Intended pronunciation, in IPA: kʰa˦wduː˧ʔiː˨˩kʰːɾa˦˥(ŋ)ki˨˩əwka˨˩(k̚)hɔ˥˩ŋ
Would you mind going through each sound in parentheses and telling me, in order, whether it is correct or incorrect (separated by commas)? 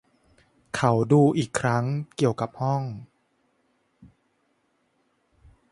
correct, incorrect